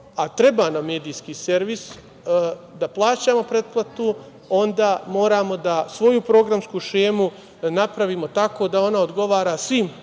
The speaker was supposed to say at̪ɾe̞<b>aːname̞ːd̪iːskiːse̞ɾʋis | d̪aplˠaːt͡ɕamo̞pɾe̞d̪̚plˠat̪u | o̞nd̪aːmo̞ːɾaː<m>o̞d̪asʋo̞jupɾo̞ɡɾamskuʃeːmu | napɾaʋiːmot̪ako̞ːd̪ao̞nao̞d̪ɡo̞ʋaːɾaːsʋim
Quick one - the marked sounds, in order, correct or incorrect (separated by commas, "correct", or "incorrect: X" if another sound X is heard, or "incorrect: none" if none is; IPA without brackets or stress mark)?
correct, correct